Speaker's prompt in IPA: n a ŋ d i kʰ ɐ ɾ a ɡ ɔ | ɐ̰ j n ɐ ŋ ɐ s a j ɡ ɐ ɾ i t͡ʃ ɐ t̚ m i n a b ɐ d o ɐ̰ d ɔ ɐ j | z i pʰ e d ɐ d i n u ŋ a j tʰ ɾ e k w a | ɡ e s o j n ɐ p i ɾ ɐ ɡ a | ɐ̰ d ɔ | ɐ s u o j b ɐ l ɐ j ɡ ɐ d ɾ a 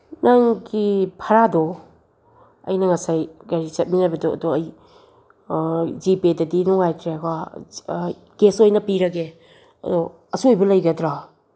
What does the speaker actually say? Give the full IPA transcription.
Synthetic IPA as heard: n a ŋ ɡ i pʰ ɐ ɾ a d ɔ | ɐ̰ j n ɐ ŋ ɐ s a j ɡ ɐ ɾ i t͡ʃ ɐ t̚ m i n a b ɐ d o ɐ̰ d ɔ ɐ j | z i p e d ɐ d i n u ŋ a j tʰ ɾ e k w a | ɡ e s o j n ɐ p i ɾ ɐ ɡ e | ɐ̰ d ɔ | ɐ s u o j b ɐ l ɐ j ɡ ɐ d ɾ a